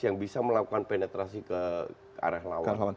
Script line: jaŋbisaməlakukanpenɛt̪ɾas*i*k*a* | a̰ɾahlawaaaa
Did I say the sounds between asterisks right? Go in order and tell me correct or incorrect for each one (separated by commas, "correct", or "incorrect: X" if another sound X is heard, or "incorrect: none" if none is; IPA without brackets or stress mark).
correct, incorrect: ə